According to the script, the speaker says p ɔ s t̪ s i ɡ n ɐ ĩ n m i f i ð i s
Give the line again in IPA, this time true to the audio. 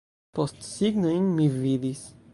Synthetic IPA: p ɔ s t̪ s i ɡ n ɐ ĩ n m i v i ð i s